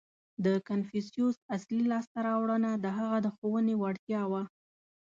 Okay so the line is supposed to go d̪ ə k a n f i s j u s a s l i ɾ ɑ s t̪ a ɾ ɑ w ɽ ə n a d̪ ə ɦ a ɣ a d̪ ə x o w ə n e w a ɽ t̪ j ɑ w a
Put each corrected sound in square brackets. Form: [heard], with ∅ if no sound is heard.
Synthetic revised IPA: d̪ ə k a n f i s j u s a s l i [l] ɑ s t̪ a ɾ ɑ w ɽ ə n a d̪ ə ɦ a ɣ a d̪ ə x o w ə n e w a ɽ t̪ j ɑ w a